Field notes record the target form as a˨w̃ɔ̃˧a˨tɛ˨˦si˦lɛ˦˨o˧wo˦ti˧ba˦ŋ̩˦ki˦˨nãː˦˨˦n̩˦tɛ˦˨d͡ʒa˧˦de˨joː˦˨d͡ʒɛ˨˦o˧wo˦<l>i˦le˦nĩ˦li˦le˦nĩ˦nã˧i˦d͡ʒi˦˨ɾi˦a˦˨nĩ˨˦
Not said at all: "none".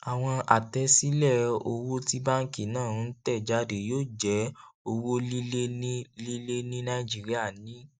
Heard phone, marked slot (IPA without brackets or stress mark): l